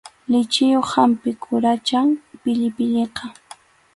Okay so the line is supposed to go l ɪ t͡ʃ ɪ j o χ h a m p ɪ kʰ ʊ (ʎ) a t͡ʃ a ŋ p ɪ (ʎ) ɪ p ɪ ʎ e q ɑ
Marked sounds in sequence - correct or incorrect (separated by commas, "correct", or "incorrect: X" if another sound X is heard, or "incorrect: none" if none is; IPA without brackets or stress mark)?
incorrect: ɾ, correct